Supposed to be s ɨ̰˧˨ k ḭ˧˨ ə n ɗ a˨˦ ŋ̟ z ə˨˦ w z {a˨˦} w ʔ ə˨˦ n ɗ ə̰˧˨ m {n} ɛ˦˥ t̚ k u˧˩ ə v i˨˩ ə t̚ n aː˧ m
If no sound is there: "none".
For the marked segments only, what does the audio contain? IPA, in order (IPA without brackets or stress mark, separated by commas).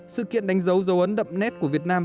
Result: ə˨˦, n